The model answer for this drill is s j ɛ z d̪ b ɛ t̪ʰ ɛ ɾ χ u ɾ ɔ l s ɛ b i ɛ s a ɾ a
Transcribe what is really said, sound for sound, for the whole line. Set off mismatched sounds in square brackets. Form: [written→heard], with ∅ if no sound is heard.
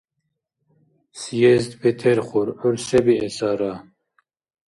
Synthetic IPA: s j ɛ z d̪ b ɛ t̪ʰ ɛ ɾ χ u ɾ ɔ [l→ɾ] s ɛ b i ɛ s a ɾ a